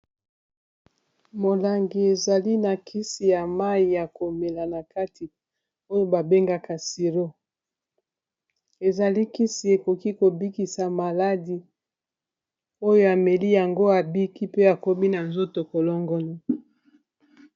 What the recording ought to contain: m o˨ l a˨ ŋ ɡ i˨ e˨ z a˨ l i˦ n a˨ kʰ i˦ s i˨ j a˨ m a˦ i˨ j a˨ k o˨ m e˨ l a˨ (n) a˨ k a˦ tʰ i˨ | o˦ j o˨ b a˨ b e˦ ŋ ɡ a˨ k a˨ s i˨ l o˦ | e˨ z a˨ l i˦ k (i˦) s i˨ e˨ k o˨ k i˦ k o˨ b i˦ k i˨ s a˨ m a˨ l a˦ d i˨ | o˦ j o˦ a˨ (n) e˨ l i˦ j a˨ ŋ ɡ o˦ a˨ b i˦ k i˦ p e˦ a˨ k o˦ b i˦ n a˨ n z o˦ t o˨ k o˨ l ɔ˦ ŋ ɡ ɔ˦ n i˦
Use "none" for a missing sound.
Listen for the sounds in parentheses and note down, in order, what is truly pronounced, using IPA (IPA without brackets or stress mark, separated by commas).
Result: n, i˦, m